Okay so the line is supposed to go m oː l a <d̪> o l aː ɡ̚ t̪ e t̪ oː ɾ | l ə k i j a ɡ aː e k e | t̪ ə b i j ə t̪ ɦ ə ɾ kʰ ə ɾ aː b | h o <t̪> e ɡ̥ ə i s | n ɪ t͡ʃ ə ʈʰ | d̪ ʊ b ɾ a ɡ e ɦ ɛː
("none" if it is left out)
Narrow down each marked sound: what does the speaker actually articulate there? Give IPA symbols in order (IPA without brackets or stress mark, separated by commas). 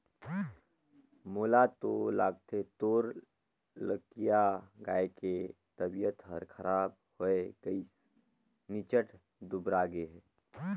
t̪, none